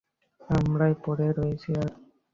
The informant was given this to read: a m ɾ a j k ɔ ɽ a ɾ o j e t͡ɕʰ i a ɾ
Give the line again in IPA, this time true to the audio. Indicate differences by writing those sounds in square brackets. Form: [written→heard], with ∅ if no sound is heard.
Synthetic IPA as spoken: a m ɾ a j [k→p] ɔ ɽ [a→e] ɾ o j e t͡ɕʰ i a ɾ